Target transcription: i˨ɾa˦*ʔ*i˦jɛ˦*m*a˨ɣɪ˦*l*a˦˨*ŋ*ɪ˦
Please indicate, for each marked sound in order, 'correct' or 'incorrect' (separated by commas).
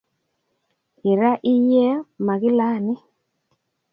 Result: correct, correct, correct, incorrect